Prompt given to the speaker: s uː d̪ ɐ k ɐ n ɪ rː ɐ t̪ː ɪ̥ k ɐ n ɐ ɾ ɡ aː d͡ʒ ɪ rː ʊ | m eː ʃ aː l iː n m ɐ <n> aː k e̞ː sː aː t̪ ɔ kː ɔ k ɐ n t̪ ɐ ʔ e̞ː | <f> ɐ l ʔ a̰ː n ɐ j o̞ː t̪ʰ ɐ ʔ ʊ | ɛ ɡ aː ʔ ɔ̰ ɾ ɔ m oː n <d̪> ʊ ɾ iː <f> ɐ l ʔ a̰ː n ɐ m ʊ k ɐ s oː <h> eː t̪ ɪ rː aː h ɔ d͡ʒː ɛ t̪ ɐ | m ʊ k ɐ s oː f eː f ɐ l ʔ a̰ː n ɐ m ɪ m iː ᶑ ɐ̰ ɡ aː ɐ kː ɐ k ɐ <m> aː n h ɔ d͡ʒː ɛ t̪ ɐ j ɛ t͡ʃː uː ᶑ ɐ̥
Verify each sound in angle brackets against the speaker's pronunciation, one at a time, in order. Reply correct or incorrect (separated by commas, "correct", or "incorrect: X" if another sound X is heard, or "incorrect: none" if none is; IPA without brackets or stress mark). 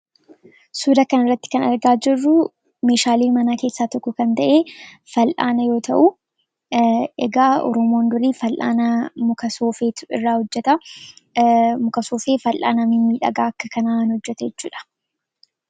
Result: correct, correct, correct, correct, incorrect: f, incorrect: n